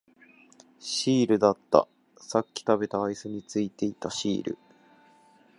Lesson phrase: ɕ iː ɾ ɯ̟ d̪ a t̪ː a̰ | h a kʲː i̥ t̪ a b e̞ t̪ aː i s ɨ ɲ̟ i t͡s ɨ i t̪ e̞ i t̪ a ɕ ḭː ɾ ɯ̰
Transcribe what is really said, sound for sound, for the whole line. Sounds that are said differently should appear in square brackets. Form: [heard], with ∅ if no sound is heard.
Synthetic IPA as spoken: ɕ iː ɾ ɯ̟ d̪ a t̪ː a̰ | [s] a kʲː i̥ t̪ a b e̞ t̪ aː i s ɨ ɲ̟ i t͡s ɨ i t̪ e̞ i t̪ a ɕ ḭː ɾ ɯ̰

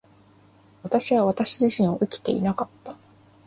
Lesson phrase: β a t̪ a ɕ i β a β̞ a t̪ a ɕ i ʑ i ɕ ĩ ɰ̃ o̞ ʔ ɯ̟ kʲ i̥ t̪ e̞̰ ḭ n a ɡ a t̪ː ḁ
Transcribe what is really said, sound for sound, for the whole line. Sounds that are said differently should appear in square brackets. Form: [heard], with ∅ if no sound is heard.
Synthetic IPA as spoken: β a t̪ a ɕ i β a β̞ a t̪ a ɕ i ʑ i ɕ ĩ ɰ̃ o̞ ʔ ɯ̟ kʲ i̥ t̪ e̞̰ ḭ n a [k] a t̪ː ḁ

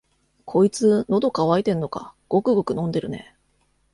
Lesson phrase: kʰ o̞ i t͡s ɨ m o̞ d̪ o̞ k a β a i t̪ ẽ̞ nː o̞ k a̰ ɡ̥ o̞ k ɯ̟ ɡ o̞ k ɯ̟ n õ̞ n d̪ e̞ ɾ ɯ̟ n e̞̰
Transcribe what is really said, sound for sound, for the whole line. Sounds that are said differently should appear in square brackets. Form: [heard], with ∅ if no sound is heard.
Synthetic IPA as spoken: kʰ o̞ i t͡s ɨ [n] o̞ d̪ o̞ k a β a i t̪ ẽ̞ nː o̞ k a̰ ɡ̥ o̞ k ɯ̟ ɡ o̞ k ɯ̟ n õ̞ n d̪ e̞ ɾ ɯ̟ n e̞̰

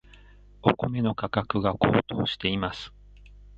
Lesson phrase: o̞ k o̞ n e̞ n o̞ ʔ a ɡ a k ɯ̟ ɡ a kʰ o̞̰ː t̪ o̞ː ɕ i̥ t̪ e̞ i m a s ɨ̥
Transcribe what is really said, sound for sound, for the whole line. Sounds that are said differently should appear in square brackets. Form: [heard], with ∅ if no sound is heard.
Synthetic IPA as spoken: o̞ k o̞ [m] e̞ n o̞ [k] a [k] a k ɯ̟ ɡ a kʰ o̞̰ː t̪ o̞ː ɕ i̥ t̪ e̞ i m a s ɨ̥

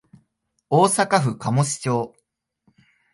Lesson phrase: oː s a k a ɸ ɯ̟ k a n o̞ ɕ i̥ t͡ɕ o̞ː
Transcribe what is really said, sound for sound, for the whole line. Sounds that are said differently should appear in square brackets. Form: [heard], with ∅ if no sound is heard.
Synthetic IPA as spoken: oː s a k a ɸ ɯ̟ k a [m] o̞ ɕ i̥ t͡ɕ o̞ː

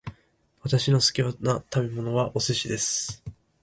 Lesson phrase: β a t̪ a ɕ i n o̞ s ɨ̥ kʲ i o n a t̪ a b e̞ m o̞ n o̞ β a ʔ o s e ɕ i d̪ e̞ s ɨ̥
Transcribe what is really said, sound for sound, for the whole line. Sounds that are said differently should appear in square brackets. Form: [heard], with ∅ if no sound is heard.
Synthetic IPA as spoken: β a t̪ a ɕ i n o̞ s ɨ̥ kʲ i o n a t̪ a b e̞ m o̞ n o̞ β a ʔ o s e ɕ i d̪ e̞ s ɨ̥

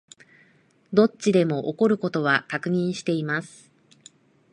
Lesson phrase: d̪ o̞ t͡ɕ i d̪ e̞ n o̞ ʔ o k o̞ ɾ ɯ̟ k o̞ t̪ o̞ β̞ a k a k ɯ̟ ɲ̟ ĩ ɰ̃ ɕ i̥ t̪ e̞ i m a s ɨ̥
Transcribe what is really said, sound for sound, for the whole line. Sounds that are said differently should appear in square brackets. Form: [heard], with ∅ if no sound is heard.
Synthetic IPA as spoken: d̪ o̞ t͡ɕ i d̪ e̞ [m] o̞ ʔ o k o̞ ɾ ɯ̟ k o̞ t̪ o̞ β̞ a k a k ɯ̟ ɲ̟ ĩ ɰ̃ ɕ i̥ t̪ e̞ i m a s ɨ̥

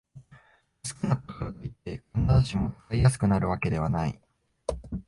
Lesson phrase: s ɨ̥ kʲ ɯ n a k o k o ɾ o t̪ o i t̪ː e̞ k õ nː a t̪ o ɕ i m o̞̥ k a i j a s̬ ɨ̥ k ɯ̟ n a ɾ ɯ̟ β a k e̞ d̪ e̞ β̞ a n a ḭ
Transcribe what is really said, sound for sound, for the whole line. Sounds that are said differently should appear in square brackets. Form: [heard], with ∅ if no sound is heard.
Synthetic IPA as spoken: s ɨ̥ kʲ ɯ n a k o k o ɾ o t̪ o i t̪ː e̞ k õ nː a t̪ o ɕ i m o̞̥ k a i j a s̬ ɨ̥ k ɯ̟ n a ɾ ɯ̟ β a k e̞ d̪ e̞ β̞ a n a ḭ

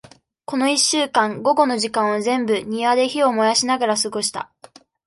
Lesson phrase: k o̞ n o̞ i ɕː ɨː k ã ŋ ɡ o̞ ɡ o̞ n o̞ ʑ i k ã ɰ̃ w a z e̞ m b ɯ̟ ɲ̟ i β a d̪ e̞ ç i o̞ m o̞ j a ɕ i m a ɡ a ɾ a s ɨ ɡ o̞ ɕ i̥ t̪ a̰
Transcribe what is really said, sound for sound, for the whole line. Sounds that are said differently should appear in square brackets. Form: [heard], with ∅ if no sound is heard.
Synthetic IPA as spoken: k o̞ n o̞ i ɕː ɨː k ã ŋ ɡ o̞ ɡ o̞ n o̞ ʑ i k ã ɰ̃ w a z [ẽ̞] m b ɯ̟ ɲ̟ i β a d̪ e̞ ç i o̞ m o̞ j a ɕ i [n] a ɡ a ɾ a s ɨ ɡ o̞ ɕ i̥ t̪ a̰

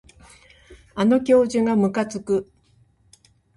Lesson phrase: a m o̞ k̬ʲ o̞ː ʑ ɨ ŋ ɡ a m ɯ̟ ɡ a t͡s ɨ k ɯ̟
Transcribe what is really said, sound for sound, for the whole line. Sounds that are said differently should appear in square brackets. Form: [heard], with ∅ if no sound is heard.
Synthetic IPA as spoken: a [n] o̞ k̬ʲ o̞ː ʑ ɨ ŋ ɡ a m ɯ̟ [k] a t͡s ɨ k ɯ̟

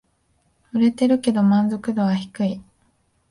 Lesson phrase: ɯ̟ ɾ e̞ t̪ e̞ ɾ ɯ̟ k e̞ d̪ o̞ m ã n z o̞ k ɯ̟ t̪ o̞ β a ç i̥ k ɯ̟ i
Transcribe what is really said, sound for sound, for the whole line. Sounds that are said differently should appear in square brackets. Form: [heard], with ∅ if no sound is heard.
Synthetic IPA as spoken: ɯ̟ ɾ e̞ t̪ e̞ ɾ ɯ̟ k e̞ d̪ o̞ m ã n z o̞ k ɯ̟ [d̪] o̞ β a ç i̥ k ɯ̟ i

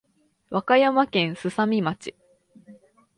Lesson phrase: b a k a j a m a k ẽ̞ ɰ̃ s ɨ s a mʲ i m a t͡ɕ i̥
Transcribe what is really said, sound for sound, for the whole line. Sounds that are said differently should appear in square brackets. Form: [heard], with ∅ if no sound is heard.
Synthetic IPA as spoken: [β] a k a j a m a k ẽ̞ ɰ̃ s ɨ s a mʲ i m a t͡ɕ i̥

